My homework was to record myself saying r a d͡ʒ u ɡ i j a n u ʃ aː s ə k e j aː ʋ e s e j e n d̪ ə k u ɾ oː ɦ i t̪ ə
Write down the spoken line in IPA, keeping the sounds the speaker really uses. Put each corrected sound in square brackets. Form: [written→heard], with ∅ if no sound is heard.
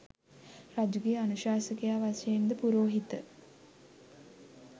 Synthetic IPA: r a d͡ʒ u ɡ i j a n u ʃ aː s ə k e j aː ʋ [e→a] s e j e n d̪ ə [k→p] u ɾ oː ɦ i t̪ ə